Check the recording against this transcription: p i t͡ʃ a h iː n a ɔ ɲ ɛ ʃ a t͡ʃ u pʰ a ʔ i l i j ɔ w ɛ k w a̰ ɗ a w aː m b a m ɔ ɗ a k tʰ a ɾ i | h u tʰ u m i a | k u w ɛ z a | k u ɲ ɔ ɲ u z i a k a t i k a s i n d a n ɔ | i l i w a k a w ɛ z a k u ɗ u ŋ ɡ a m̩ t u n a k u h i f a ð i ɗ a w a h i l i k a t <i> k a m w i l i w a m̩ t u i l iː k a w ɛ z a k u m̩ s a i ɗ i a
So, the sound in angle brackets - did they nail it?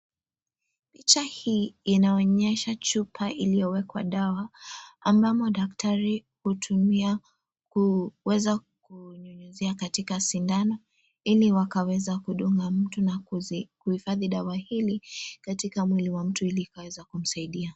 yes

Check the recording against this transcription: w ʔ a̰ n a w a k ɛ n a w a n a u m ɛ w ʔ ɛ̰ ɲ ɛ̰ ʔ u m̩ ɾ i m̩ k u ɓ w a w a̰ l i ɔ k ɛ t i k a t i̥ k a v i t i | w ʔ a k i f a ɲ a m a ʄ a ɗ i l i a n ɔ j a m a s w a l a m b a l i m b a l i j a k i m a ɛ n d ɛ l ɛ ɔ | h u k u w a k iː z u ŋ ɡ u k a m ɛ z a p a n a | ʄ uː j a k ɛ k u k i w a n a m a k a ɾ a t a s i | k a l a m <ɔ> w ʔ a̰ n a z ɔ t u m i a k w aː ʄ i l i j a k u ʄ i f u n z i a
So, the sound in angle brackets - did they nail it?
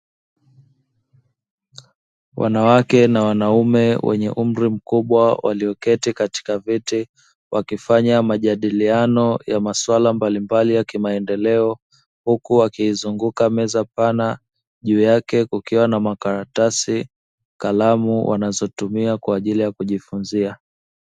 no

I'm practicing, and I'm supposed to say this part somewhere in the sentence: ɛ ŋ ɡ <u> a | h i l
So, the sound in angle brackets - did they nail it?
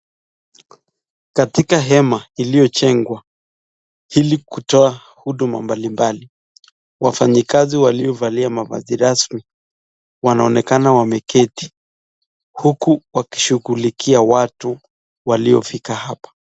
no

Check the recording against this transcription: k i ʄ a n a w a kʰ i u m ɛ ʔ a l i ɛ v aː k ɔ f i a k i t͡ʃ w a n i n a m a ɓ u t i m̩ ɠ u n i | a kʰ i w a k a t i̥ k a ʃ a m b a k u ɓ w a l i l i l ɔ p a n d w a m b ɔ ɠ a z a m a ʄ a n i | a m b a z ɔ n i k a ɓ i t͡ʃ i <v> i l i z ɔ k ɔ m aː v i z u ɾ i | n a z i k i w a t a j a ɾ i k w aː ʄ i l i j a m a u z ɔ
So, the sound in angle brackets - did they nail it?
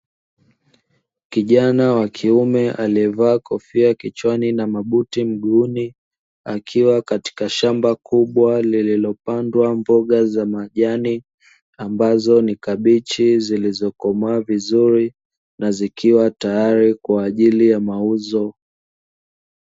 no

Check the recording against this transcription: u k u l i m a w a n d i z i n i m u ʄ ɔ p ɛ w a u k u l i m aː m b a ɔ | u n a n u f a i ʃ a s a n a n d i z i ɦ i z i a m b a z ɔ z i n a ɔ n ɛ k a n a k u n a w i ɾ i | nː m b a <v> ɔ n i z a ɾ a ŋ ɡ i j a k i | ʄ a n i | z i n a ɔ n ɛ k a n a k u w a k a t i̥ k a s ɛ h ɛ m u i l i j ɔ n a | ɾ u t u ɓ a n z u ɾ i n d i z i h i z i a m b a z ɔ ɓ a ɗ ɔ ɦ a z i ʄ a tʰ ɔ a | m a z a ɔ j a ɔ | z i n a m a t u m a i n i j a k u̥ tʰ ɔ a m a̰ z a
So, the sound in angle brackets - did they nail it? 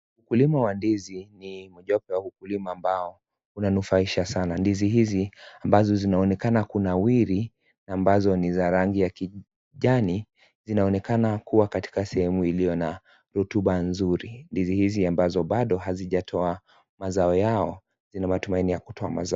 no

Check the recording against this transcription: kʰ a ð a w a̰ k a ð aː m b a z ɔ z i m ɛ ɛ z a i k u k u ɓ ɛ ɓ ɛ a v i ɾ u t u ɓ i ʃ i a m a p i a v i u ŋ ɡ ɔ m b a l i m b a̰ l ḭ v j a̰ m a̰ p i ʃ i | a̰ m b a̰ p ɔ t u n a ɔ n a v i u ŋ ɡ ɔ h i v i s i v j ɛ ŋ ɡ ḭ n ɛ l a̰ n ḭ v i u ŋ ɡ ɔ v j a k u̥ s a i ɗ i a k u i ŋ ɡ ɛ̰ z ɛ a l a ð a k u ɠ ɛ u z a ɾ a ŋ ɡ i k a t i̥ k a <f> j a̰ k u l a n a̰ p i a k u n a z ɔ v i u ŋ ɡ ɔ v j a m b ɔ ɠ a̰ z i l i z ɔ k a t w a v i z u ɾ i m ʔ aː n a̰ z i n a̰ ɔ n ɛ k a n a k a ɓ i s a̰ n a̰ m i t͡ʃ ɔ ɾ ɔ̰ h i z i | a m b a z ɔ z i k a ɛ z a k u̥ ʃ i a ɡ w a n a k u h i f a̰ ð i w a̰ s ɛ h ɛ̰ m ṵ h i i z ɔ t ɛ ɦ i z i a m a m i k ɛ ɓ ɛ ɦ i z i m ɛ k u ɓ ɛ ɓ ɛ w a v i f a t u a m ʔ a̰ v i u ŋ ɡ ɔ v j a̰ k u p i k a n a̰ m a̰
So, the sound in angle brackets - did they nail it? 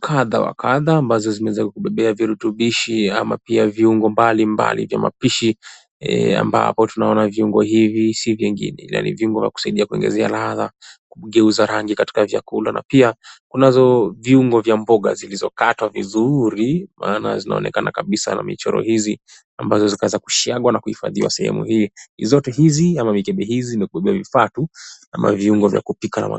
no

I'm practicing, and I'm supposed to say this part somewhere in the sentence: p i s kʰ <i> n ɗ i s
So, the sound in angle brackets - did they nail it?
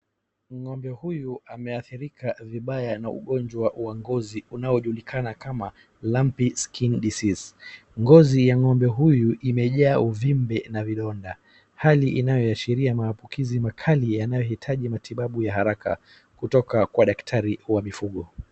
yes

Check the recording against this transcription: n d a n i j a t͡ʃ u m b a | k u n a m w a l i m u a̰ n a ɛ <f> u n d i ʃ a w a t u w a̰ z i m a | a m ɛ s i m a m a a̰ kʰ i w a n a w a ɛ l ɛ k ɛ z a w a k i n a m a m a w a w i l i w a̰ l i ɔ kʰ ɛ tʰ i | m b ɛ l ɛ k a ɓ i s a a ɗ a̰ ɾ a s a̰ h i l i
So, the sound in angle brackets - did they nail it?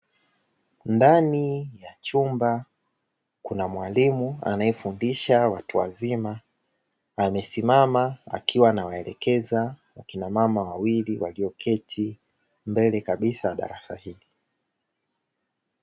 yes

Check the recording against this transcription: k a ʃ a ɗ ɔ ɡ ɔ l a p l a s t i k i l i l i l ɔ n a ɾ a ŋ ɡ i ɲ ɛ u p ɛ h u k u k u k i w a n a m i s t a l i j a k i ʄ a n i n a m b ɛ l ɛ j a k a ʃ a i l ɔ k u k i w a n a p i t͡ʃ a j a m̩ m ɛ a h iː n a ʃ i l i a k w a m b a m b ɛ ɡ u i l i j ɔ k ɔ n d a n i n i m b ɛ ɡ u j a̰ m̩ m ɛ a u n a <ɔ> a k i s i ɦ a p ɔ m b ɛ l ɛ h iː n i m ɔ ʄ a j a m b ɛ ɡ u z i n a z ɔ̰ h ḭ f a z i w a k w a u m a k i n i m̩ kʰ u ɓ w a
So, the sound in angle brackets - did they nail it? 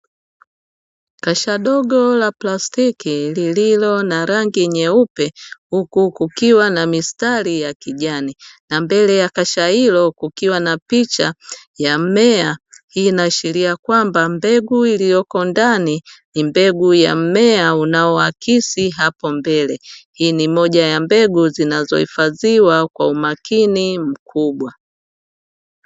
yes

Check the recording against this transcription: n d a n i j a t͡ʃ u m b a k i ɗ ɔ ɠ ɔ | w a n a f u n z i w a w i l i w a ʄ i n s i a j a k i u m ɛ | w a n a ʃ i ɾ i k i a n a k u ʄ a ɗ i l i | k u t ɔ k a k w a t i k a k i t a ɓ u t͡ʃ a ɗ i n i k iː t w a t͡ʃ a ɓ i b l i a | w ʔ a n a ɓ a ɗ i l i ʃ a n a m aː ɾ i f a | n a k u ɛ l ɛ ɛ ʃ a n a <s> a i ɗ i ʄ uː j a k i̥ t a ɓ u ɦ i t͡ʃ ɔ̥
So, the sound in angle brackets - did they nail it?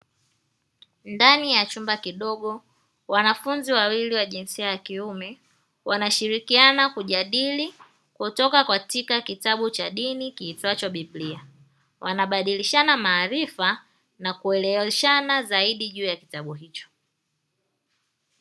no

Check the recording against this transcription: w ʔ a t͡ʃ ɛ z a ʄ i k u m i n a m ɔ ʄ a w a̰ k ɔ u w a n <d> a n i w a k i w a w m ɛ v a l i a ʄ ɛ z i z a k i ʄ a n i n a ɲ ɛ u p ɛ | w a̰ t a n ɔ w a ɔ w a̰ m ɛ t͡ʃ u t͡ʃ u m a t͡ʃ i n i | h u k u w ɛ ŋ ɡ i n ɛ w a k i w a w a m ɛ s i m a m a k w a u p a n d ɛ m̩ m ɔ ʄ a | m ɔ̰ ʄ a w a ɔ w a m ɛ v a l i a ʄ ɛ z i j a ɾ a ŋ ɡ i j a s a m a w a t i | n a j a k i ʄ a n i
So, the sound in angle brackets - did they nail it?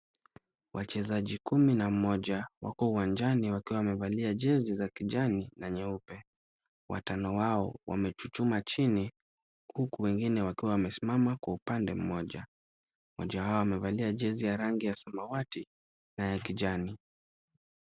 no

